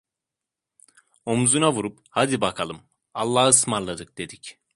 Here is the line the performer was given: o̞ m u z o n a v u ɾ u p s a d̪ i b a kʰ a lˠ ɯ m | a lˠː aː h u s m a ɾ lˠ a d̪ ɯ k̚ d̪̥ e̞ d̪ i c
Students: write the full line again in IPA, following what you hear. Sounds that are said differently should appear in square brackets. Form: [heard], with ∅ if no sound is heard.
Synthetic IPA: o̞ m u z [u] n a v u ɾ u p [h] a d̪ i b a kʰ a lˠ ɯ m | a lˠː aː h [ɯ] s m a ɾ lˠ a d̪ ɯ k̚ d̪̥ e̞ d̪ i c